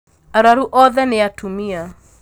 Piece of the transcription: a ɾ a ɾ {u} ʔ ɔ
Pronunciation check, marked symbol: correct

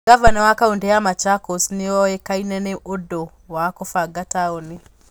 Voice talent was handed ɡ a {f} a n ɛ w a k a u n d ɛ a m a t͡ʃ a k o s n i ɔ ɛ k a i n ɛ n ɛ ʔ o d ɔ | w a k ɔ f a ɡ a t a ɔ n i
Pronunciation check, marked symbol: incorrect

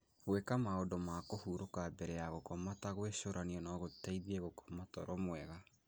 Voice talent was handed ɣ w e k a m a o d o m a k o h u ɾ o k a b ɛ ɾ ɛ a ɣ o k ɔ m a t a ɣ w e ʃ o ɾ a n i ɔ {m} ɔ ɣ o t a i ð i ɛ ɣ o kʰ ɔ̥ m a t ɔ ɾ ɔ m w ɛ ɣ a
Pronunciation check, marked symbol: incorrect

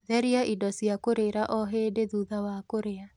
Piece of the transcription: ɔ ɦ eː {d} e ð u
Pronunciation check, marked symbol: correct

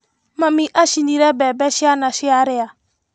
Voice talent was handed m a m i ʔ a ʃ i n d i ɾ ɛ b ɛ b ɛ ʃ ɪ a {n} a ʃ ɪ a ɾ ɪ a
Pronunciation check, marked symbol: correct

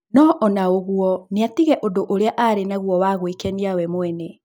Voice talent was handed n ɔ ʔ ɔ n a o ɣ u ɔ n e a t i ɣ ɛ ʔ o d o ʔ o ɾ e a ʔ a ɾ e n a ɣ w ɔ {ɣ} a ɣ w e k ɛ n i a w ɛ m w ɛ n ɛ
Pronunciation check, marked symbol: incorrect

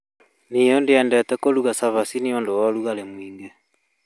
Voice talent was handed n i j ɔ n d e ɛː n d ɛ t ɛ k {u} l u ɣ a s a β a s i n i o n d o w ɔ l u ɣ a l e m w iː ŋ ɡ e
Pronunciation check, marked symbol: incorrect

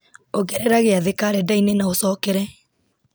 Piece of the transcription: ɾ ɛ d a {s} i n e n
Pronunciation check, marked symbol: incorrect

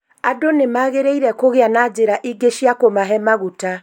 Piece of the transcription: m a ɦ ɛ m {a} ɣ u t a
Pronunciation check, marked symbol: correct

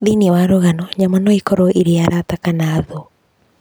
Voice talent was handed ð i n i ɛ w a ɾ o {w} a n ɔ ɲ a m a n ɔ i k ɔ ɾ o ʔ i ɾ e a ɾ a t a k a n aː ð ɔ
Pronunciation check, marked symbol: incorrect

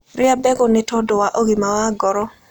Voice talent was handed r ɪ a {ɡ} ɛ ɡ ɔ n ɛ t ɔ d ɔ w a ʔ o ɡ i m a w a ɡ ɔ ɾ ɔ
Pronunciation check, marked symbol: incorrect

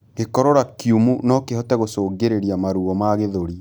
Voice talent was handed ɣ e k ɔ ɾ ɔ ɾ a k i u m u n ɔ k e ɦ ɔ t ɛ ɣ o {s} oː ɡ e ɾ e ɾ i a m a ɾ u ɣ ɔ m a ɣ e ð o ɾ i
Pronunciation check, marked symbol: correct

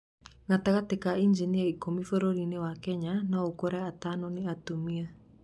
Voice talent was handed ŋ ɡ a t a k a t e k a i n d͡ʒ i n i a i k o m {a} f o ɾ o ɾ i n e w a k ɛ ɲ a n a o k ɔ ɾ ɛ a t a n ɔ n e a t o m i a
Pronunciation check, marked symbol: incorrect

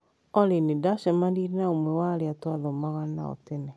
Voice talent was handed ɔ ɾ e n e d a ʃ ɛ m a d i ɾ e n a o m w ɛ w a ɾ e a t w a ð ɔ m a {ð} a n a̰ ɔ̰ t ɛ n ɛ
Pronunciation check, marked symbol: incorrect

